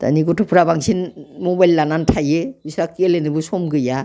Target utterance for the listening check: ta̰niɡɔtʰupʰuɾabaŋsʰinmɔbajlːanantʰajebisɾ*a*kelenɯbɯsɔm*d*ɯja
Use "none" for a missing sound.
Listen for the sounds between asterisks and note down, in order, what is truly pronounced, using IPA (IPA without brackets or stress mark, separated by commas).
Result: a, ɡ